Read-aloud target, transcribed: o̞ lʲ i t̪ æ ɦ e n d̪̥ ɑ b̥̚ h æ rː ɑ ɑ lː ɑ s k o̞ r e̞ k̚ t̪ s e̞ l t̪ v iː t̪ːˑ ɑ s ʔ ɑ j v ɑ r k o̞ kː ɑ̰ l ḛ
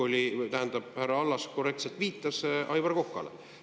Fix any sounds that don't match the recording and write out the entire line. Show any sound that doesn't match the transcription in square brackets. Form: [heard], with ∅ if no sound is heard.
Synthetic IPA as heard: o̞ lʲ i t̪ æ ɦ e n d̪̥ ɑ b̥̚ h æ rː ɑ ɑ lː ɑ s k o̞ r e̞ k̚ t̪ s e̞ l t̪ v iː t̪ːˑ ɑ s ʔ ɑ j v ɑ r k o̞ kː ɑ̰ l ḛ

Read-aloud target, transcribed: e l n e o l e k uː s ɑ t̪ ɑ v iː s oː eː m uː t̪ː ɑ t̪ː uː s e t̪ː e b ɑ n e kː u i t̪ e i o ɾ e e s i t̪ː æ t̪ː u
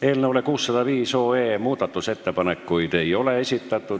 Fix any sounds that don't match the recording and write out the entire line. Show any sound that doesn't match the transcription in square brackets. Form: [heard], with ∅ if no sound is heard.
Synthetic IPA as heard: e l n e o l e k uː [sː] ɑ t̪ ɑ [ʋ] iː s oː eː m uː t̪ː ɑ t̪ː [u] s e t̪ː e [p] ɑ n e kː u i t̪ e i o [l] e e s i t̪ː æ t̪ː u

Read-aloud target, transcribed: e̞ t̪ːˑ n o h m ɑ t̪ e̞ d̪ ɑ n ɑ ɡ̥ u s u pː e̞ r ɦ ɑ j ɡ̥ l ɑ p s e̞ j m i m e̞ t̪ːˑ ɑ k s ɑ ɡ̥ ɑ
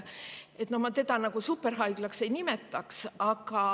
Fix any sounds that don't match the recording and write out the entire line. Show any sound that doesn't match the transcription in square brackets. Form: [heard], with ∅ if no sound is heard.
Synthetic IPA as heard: e̞ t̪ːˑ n o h m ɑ t̪ e̞ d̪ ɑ n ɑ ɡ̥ u s u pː e̞ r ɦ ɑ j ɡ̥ l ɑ [k] s e̞ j [n] i m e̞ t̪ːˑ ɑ k s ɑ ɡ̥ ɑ

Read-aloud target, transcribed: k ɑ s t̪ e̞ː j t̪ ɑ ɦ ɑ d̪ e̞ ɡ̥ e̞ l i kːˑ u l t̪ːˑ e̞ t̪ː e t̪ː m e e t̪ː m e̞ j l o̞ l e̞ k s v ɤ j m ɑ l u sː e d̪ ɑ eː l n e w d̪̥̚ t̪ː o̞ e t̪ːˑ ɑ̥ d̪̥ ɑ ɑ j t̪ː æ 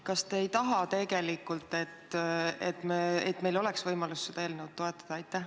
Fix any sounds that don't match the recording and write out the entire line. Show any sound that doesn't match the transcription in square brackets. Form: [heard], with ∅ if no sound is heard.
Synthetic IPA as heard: k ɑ s t̪ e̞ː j t̪ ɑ ɦ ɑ [t̪] e̞ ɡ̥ e̞ l i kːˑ u l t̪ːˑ e̞ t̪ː e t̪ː m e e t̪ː m e̞ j l o̞ l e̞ k s v ɤ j m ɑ l u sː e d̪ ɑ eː l n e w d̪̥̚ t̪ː o̞ e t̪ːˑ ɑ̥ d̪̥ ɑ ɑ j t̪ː æ

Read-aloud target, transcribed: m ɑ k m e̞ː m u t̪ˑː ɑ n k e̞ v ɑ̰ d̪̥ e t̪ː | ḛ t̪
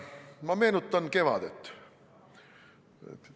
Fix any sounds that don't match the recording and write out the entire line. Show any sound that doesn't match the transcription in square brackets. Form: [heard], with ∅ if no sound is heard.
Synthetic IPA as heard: m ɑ [∅] m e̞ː [n] u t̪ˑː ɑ n k e̞ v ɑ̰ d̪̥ e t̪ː | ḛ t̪

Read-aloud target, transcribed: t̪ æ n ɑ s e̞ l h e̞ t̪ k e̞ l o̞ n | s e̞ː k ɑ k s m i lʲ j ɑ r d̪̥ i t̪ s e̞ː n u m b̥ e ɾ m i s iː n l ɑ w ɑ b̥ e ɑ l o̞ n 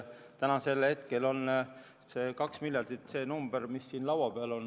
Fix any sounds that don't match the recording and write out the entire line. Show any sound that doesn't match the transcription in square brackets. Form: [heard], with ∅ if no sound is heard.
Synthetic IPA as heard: t̪ æ n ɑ s e̞ l h e̞ t̪ k e̞ l o̞ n | s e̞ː k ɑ k s m i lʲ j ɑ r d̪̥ i t̪ s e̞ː n u m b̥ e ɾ m i [sː] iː n l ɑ w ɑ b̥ e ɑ l o̞ n

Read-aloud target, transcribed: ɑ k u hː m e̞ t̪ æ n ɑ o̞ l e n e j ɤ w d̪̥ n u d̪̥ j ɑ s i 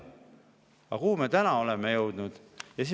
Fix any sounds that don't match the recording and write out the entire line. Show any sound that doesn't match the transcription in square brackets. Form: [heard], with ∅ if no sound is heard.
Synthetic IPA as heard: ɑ k u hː m e̞ t̪ æ n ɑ o̞ l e [m] e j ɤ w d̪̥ n u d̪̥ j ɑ s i

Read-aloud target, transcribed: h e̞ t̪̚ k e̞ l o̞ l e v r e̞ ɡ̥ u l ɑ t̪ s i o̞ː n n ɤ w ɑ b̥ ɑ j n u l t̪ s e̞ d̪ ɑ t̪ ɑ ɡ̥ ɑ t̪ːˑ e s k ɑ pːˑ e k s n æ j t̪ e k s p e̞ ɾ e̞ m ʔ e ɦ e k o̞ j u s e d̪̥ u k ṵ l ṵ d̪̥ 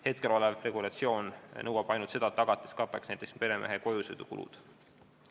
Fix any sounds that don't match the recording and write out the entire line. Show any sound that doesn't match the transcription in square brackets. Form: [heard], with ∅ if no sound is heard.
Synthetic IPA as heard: h e̞ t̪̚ k e̞ l o̞ l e v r e̞ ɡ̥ u l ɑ t̪ s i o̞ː n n ɤ w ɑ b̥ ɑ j n u l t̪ s e̞ d̪ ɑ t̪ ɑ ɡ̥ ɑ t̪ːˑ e s k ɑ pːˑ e k s n æ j t̪ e k s p e̞ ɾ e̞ m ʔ e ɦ e k o̞ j u s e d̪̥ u k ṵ l ṵ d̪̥

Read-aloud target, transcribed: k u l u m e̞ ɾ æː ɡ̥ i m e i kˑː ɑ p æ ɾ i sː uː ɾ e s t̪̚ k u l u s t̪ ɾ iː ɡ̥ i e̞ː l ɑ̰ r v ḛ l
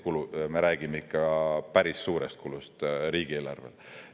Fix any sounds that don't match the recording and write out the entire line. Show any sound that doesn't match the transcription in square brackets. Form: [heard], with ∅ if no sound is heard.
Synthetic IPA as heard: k u l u m e̞ ɾ æː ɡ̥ i m e i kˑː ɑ p æ ɾ i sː uː ɾ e s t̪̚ k u l u s t̪ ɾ iː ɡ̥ i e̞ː l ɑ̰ r v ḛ l

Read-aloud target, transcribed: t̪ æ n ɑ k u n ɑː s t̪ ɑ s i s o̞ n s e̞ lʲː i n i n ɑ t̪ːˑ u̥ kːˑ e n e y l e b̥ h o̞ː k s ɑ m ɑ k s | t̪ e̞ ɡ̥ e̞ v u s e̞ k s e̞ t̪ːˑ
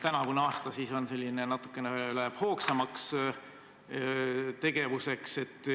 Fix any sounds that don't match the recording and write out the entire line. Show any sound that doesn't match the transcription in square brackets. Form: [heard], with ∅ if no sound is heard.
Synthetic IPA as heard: t̪ æ n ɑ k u n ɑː s t̪ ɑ s i s o̞ n s e̞ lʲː i n [e] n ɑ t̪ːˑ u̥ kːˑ e n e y l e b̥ h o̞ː k s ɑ m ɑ k s | t̪ e̞ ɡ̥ e̞ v u s e̞ k s e̞ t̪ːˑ

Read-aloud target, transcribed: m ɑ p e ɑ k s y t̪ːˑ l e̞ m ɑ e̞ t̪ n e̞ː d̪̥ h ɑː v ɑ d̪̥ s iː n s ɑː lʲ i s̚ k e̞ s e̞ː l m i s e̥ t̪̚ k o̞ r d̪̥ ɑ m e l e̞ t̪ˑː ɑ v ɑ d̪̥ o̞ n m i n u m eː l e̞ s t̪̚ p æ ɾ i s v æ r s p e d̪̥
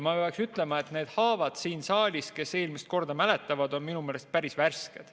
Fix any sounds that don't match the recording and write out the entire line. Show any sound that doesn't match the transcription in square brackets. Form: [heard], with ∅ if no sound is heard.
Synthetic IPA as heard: m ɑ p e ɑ k s y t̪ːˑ l e̞ m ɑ e̞ t̪ n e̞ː d̪̥ h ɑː v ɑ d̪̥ s iː n s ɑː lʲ i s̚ k e̞ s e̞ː l m i s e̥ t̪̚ k o̞ r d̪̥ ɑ m [æ] l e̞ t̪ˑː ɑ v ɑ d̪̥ o̞ n m i n u m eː l e̞ s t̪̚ p æ ɾ i s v æ r s [k] e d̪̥

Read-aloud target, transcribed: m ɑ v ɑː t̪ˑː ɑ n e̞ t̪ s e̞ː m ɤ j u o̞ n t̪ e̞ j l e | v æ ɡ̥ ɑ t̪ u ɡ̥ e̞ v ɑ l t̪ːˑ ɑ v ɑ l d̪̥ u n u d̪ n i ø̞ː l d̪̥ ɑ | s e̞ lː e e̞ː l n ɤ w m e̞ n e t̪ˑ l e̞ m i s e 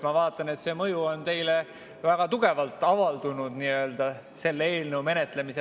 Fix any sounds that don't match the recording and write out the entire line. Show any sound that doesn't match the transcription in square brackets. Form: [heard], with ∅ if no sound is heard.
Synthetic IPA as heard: m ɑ v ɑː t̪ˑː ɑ n e̞ t̪ s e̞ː m ɤ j u o̞ n t̪ e̞ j l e | v æ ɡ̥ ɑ t̪ u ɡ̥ e̞ v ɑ l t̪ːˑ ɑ v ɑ l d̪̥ u n u d̪ n i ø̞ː l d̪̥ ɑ | s e̞ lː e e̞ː l n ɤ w m e̞ n e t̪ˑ l e̞ m i s e

